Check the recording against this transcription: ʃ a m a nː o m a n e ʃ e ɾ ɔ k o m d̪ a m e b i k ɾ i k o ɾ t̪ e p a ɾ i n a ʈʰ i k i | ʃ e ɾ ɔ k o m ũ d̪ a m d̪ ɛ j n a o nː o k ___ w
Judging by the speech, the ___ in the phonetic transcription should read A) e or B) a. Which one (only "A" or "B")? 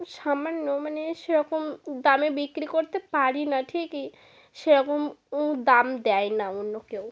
A